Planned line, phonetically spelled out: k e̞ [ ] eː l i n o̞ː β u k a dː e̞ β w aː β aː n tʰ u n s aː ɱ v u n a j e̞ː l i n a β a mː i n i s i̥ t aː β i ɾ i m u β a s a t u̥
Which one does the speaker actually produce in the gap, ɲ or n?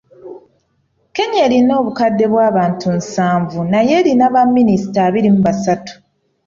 ɲ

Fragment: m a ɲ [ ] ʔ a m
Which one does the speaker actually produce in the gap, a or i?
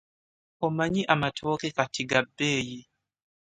i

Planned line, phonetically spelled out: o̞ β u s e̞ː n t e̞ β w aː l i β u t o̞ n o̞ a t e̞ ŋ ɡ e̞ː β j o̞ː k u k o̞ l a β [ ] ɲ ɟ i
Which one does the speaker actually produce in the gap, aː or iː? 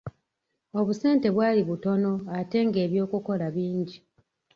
iː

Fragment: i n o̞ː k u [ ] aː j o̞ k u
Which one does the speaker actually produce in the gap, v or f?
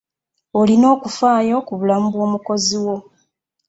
f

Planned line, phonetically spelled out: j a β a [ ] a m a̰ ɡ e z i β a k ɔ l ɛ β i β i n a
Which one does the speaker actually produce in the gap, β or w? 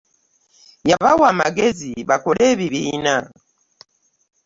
w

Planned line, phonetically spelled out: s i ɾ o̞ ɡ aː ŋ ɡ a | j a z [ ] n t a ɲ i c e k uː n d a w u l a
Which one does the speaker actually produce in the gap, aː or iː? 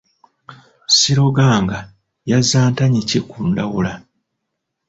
aː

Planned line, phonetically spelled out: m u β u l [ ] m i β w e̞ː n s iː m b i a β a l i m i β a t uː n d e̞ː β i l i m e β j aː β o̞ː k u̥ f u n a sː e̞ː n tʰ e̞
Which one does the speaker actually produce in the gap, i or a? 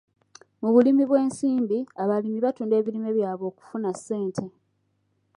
i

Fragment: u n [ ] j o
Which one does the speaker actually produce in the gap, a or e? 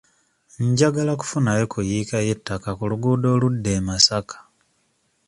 a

